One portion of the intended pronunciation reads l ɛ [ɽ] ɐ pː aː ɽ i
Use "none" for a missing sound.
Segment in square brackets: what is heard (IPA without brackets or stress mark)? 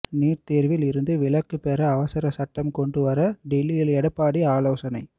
ɽ